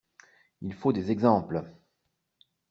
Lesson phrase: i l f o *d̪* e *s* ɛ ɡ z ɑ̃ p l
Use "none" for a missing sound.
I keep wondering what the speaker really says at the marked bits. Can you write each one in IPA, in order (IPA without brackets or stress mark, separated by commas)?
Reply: d̪, z